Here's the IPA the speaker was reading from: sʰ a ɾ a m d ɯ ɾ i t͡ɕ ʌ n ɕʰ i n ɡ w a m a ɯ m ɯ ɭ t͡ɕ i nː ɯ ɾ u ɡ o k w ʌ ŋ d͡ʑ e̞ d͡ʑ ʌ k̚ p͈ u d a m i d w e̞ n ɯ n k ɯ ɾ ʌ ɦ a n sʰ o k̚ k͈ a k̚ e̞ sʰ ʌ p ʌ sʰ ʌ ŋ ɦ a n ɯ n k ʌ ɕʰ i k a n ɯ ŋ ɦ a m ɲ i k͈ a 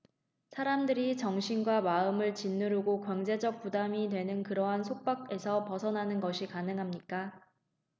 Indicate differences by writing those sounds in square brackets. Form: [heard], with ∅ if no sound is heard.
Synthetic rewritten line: sʰ a ɾ a m d ɯ ɾ i t͡ɕ ʌ [ŋ] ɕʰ i n ɡ w a m a ɯ m ɯ ɭ t͡ɕ i nː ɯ ɾ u ɡ o k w ʌ ŋ d͡ʑ e̞ d͡ʑ ʌ k̚ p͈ u d a m i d w e̞ n ɯ n k ɯ ɾ ʌ ɦ a n sʰ o k̚ [p͈] a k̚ e̞ sʰ ʌ p ʌ sʰ ʌ [n] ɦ a n ɯ n [ɡ] ʌ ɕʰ i k a n ɯ ŋ ɦ a m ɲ i k͈ a